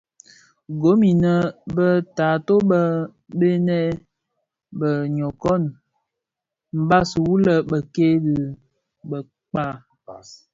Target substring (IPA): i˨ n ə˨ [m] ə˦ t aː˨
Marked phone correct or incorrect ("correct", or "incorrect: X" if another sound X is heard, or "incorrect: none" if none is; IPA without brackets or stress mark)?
incorrect: b